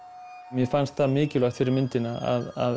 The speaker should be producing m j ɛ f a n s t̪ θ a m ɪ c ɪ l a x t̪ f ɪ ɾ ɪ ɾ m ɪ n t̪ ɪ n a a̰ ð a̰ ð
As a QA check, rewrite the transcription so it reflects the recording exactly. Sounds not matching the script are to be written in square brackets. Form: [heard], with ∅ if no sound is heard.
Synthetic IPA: m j ɛ f a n s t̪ θ a m [ɪː] c ɪ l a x t̪ f ɪ ɾ ɪ ɾ m ɪ n t̪ ɪ n a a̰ ð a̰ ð

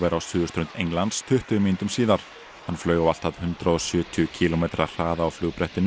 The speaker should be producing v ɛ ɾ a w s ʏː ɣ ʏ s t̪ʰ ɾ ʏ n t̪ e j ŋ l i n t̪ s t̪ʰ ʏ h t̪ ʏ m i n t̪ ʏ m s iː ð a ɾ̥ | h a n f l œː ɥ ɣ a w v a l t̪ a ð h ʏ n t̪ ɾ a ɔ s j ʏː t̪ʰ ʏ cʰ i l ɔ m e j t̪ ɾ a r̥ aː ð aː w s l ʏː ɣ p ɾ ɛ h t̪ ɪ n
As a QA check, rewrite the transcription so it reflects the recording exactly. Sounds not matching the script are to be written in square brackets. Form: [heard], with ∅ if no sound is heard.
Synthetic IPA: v ɛ ɾ a w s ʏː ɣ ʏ s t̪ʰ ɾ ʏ n t̪ e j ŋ l [a] n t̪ s t̪ʰ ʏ h t̪ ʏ m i n t̪ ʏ m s iː ð a ɾ̥ | h a n f l œː ɥ ɣ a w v a l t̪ a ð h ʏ n t̪ ɾ a ɔ s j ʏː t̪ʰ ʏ cʰ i l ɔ m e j t̪ ɾ a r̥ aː ð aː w [f] l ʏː ɣ p ɾ ɛ h t̪ ɪ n

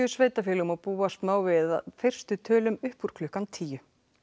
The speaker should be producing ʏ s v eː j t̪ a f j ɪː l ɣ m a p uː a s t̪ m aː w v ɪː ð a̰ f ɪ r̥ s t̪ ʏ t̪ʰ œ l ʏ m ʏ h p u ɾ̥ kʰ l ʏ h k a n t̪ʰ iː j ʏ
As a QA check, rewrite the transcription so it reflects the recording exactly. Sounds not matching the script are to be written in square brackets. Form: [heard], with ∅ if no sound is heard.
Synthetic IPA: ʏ s v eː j t̪ a f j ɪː l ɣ m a p uː a s t̪ m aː w v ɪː ð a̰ f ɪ r̥ s t̪ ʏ t̪ʰ [œː] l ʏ m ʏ h p u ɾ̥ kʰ l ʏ h k a n t̪ʰ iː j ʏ

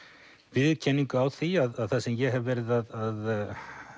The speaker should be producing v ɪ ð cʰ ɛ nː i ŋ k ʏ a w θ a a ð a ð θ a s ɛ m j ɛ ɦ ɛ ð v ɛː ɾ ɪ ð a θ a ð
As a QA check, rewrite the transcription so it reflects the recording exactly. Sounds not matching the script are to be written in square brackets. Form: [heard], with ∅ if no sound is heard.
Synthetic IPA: v ɪ ð cʰ ɛ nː i ŋ k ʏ a w θ [i] a ð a ð θ a s ɛ m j ɛ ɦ ɛ [v] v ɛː ɾ ɪ ð a [ð] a ð

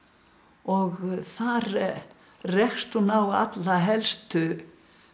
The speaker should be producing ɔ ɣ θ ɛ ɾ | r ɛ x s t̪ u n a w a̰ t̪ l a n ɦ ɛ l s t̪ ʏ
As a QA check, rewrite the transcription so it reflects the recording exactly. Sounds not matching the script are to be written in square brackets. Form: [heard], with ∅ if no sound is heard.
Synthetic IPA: ɔ ɣ θ [a] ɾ | r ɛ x s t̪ u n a w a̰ t̪ l a [∅] ɦ ɛ l s t̪ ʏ

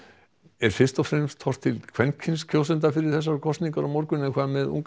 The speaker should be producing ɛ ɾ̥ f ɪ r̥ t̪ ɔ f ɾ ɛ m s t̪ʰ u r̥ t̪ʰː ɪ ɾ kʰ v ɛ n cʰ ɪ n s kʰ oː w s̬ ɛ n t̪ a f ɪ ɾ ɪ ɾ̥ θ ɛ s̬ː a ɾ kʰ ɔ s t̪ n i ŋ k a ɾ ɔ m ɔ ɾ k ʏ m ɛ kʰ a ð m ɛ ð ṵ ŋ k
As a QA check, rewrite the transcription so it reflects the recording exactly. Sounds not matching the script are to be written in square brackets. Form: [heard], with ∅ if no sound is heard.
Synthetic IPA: ɛ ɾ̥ f ɪ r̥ t̪ ɔ f ɾ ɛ m s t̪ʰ [ɔ] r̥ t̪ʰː ɪ [l] kʰ v ɛ n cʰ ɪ n s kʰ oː w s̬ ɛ n t̪ a f ɪ ɾ ɪ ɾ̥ θ ɛ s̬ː a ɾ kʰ ɔ s t̪ n i ŋ k a ɾ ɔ m ɔ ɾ k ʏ [n] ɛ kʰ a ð m ɛ ð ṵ ŋ k

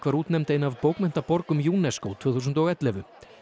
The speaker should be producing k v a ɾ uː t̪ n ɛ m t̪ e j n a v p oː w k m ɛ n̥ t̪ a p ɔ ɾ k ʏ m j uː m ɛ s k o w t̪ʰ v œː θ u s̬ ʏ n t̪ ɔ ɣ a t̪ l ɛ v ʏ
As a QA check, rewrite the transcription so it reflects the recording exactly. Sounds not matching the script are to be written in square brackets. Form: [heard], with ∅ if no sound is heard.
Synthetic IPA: k v a ɾ uː t̪ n ɛ m t̪ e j n a v p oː w k m ɛ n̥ t̪ a p ɔ ɾ k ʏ m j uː [n] ɛ s k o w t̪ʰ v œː θ u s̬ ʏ n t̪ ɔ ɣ [ɛ] t̪ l ɛ v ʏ

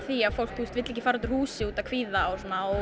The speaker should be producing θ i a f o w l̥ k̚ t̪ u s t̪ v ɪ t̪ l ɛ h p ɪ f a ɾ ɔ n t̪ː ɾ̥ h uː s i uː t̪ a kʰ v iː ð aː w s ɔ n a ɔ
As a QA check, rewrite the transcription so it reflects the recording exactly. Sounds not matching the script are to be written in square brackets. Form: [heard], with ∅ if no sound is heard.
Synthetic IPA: θ i a f o w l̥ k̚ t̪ u s t̪ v ɪ t̪ l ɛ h [c] ɪ f a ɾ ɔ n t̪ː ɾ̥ h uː s [ɪ] uː t̪ a kʰ v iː ð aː w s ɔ n a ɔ

